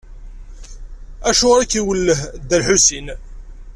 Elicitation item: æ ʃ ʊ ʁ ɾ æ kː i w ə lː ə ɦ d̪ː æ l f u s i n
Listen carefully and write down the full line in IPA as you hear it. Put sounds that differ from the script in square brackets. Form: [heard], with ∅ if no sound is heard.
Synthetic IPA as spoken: æ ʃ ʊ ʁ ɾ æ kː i w ə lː ə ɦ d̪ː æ l [ħ] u s i n